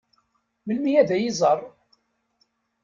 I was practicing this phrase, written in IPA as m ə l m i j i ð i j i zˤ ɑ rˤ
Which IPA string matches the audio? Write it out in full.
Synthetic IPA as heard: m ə l m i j æ ð æ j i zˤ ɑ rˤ